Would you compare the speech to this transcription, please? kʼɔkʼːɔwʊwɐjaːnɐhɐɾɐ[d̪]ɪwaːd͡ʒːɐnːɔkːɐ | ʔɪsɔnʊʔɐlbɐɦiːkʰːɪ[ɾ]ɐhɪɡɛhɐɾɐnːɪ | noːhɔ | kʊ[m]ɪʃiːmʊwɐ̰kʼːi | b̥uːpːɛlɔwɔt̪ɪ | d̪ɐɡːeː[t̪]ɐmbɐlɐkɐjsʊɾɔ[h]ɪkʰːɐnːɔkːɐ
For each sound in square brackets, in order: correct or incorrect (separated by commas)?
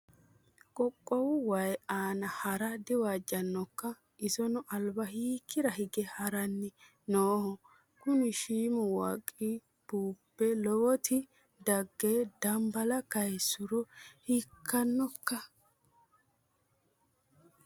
correct, correct, incorrect, incorrect, correct